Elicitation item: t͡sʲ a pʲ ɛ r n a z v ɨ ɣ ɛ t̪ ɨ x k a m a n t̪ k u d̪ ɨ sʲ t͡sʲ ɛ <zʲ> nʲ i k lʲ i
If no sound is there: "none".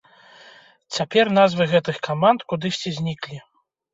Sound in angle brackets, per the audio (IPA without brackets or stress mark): zʲ